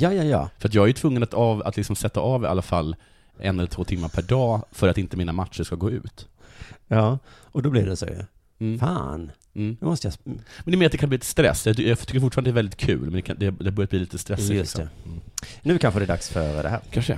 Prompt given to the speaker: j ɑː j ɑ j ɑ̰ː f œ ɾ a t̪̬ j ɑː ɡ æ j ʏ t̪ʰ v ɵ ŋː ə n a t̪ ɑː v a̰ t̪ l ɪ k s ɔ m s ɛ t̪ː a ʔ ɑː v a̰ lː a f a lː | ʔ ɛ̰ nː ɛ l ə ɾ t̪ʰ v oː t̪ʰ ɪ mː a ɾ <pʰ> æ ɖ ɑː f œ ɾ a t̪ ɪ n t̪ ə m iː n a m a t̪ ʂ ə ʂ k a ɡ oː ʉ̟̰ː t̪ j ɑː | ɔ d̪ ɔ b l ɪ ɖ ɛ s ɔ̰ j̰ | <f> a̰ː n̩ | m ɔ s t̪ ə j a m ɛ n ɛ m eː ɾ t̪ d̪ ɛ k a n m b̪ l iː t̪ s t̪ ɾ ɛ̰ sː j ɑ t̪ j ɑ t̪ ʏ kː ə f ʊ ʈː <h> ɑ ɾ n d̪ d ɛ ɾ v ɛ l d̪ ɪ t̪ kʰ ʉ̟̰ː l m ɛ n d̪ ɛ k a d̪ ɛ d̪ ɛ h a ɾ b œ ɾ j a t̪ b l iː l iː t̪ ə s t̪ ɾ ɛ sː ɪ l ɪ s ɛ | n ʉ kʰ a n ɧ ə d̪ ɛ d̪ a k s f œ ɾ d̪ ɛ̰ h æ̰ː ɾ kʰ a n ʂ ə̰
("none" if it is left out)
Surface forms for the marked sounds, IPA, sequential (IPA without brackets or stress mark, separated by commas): pʰ, f, f